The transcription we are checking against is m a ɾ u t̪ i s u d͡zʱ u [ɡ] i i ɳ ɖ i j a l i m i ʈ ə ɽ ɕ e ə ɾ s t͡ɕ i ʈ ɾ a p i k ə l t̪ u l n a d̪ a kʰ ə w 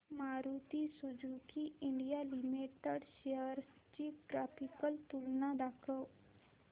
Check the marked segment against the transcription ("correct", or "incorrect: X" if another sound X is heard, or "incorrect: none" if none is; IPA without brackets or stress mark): incorrect: k